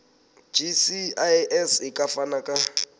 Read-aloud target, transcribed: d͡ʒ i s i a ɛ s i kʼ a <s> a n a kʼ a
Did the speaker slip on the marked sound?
yes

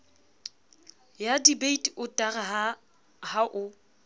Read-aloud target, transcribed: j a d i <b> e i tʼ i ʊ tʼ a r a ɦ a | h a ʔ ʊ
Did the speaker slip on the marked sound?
no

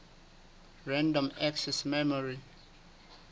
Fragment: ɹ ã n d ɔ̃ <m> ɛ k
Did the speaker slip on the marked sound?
no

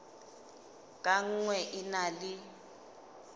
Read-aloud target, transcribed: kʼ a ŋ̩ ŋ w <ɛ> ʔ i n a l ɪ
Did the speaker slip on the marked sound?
no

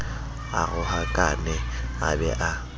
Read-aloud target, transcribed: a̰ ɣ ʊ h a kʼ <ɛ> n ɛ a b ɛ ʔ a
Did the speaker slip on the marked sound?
yes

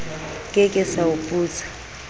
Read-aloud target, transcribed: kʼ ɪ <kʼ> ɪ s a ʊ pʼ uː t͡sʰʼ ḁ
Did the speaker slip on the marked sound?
no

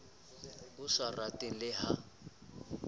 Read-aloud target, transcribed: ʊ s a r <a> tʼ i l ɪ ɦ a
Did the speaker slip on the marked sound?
no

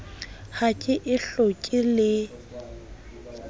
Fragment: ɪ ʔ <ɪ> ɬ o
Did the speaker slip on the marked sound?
no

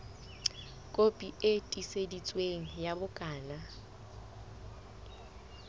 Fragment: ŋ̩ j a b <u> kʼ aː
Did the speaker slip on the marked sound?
yes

